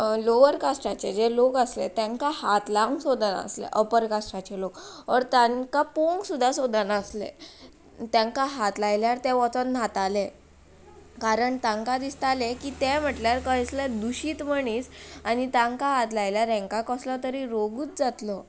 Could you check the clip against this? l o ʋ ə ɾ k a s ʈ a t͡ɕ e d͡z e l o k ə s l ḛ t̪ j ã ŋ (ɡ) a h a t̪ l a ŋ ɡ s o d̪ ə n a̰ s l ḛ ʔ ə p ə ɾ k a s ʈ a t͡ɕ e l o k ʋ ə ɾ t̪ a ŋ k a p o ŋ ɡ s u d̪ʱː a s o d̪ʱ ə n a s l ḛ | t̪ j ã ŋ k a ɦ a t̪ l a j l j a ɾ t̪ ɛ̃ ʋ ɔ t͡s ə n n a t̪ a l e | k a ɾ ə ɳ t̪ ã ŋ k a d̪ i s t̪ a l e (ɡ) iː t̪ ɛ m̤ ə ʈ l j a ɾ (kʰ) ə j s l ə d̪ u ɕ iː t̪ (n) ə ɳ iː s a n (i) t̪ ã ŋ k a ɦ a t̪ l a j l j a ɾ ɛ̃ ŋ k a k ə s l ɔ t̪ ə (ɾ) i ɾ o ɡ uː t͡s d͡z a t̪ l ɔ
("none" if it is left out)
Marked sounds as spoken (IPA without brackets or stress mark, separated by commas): k, k, k, m, i, ɾ